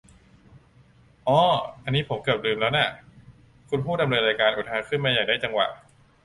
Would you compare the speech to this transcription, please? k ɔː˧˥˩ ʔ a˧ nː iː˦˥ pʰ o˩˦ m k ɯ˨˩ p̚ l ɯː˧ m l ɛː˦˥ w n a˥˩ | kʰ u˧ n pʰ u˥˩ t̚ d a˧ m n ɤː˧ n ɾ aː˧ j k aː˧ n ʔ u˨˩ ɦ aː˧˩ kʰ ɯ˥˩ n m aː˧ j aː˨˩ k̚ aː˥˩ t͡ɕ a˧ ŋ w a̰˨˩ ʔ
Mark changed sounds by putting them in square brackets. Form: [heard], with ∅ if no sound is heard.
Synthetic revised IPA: [ʔ] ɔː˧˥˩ ʔ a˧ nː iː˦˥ pʰ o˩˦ m k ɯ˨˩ p̚ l ɯː˧ m l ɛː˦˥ w n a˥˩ | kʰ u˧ n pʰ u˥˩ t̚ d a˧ m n ɤː˧ n ɾ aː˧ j k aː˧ n ʔ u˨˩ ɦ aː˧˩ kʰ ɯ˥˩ n m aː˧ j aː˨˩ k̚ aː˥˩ t͡ɕ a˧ ŋ w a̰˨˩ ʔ